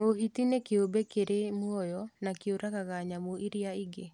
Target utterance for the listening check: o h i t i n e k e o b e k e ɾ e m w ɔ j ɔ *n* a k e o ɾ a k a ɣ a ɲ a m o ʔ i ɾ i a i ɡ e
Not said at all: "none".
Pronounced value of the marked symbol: n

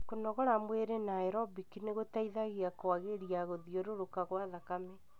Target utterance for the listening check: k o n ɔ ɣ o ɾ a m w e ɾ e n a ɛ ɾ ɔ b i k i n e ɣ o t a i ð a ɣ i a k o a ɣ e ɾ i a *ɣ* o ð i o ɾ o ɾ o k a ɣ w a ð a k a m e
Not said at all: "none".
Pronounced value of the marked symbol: ɣ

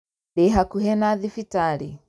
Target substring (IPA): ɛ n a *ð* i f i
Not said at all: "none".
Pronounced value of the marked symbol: ð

